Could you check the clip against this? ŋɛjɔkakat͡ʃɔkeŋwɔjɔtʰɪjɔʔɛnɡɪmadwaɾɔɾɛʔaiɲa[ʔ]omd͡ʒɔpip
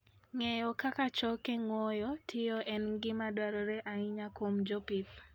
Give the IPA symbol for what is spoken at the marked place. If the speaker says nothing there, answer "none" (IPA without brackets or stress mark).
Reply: k